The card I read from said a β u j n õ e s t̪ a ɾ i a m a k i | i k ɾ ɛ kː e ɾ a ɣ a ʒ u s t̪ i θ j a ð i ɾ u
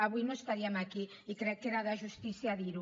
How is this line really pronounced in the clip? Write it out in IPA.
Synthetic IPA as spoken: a β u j n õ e s t̪ a ɾ i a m a k i | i k ɾ ɛ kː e ɾ a ð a ʒ u s t̪ i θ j a ð i ɾ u

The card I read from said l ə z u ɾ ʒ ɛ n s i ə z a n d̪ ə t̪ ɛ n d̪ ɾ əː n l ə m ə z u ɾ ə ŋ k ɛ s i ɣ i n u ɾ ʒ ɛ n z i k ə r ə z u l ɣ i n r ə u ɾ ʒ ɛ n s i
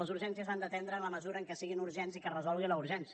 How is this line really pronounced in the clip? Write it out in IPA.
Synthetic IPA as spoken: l ə z u ɾ ʒ ɛ n s i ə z a n d̪ ə t̪ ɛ n d̪ ɾ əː n l ə m ə z u ɾ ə ŋ k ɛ s i ɣ i n u ɾ ʒ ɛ n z i k ə r ə z ɔ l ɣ i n l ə u ɾ ʒ ɛ n s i

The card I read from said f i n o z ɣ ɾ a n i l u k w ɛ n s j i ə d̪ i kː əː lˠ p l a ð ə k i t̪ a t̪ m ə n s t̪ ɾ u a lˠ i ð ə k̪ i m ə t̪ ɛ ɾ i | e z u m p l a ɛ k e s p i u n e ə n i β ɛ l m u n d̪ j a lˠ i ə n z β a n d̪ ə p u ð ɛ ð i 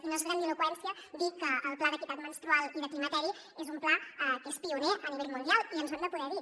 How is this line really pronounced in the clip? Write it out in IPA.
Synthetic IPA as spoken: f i n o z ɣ ɾ a n i l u k w ɛ n s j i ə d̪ i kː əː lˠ p l a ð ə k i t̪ a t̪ m ə n s t̪ ɾ u a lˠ i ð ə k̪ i m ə t̪ ɛ ɾ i | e z u m p l a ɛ k e s p i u n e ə n i β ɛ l m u n d̪ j a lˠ i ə n z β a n d̪ ə p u ð ɛ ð i

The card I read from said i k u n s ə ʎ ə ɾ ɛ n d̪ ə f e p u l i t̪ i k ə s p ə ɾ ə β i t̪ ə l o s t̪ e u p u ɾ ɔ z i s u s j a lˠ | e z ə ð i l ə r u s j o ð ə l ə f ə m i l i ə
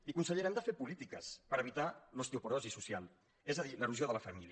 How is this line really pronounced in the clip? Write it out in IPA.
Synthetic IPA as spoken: i k u n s ə ʎ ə ɾ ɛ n d̪ ə f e p u l i t̪ i k ə s p ə ɾ ə β i t̪ a l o s t̪ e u p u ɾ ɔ z i s u s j a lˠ | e z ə ð i l ə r u z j o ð ə l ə f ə m i l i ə

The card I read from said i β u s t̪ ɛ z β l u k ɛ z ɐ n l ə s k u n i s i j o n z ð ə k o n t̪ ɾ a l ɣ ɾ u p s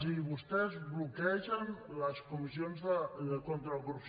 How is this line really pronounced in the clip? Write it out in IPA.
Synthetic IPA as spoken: i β u s t̪ ɛ z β l u k ɛ ʒ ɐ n l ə s k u m i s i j o n z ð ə k o n t̪ ɾ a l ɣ ɾ u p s

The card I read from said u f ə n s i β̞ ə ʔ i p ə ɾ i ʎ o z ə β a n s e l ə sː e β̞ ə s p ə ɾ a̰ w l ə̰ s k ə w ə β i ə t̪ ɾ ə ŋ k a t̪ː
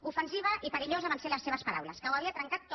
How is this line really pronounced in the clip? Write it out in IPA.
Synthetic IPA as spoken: u f ə n s i β̞ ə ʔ i p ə ɾ i ʎ o z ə β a n s e l ə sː e β̞ ə s p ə ɾ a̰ w l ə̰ s k ə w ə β i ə t̪ ɾ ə ŋ k a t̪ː

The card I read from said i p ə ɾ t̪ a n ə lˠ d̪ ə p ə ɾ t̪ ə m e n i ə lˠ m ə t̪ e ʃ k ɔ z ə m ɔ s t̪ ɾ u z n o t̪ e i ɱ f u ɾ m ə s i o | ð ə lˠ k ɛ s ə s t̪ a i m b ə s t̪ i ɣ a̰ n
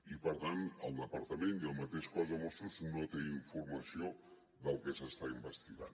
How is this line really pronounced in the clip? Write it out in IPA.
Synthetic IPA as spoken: i p ə ɾ t̪ a n ə lˠ d̪ ə p ə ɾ t̪ ə m e n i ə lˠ m ə t̪ e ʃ k ɔ z ə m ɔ s t̪ ɾ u z n o t̪ e i ɱ f u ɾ m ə s i o | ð ə lˠ k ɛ s ə s t̪ a i m b ə s t̪ i ɣ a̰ n

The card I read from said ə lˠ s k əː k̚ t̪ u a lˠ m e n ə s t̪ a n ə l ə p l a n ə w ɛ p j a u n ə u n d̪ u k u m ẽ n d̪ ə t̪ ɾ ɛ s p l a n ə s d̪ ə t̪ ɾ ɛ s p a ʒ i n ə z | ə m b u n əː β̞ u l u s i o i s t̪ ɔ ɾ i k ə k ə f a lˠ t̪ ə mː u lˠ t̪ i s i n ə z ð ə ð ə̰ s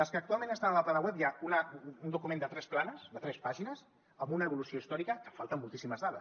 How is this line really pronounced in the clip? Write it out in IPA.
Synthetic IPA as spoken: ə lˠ s k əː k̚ t̪ u a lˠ m e n ə s t̪ a n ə l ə p l a n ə w ɛ p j a u n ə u n d̪ u k u m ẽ n d̪ ə t̪ ɾ ɛ s p l a n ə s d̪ ə t̪ ɾ ɛ s p a ʒ i n ə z | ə m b u n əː β̞ u l u s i o i s t̪ ɔ ɾ i k ə k ə f a lˠ t̪ ə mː u lˠ t̪ i s i m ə z ð a ð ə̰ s

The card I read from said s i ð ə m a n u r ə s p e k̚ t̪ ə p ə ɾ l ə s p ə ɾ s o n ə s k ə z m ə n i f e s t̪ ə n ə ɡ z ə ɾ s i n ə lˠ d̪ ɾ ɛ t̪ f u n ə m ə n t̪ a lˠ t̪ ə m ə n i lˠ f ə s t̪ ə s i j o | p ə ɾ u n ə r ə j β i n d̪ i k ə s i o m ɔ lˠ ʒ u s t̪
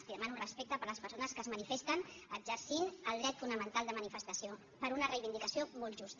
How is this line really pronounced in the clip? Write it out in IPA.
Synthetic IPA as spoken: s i ð ə m a n u r ə s p e k̚ t̪ ə p ə ɾ l ə s p ə ɾ s o n ə s k ə z m ə n i f e s t̪ ə n ə ɡ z ə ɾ s i n ə lˠ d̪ ɾ ɛ t̪ f u n ə m ə n t̪ a lˠ d̪ ə m ə n i f ə s t̪ ə s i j o | p ə ɾ u n ə r ə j β i n d̪ i k ə s i o m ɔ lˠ ʒ u s t̪

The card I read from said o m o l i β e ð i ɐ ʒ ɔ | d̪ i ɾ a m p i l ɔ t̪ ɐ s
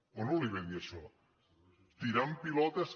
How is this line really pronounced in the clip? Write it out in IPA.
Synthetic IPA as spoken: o n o l i β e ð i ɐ ʃ ɔ | t̪ i ɾ a m p i l ɔ t̪ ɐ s

